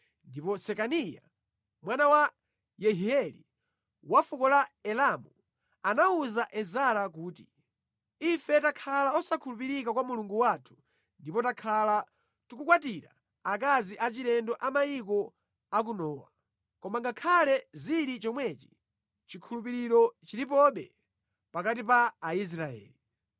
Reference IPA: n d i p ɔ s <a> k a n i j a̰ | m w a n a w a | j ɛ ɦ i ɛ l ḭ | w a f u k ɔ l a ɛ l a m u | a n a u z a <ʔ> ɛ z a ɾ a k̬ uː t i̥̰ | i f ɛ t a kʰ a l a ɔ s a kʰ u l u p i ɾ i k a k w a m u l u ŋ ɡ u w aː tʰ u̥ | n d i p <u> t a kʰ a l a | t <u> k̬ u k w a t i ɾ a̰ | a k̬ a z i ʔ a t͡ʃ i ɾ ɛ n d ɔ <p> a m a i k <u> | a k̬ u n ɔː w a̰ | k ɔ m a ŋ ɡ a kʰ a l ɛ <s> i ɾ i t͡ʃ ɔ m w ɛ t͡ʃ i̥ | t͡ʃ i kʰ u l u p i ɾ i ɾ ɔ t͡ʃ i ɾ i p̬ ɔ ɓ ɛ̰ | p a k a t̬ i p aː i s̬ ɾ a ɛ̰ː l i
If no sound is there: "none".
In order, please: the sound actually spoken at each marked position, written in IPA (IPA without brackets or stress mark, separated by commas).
ɛ, ʔ, ɔ, u, ʔ, ɔ, z